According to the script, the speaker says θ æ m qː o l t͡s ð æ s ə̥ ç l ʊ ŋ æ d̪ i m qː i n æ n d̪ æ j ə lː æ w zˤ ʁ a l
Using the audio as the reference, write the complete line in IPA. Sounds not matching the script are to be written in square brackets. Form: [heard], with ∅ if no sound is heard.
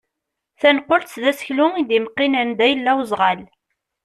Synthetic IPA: θ æ [n] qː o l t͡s ð æ s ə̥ ç l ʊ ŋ [i] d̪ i m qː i n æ n d̪ æ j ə lː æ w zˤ ʁ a l